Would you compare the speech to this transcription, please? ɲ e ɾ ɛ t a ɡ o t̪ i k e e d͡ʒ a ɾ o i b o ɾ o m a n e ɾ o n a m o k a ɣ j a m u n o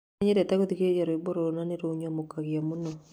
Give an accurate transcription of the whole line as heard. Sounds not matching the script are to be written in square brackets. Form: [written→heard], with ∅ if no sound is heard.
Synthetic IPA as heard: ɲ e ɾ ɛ t a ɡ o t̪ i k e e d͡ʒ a ɾ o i b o ɾ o [m→n] a n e ɾ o [n→ɲ] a m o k a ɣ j a m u n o